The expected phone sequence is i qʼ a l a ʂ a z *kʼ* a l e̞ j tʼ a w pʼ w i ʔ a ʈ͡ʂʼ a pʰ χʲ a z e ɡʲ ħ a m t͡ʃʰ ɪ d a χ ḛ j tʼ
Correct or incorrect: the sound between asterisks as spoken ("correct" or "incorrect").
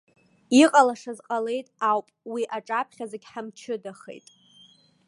incorrect